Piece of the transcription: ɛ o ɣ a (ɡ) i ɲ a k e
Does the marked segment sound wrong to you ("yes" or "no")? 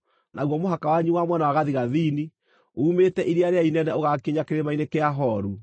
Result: yes